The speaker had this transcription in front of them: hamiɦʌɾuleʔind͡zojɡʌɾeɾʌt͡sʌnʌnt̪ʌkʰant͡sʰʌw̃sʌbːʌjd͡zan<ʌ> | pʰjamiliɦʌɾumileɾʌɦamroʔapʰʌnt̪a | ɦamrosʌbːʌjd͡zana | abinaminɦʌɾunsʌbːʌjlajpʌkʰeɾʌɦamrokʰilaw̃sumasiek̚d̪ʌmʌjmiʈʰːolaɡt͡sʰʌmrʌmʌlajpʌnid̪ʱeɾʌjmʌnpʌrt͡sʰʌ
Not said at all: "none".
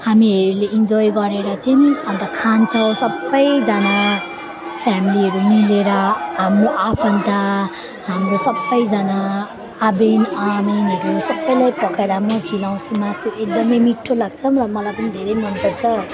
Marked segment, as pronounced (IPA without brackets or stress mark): a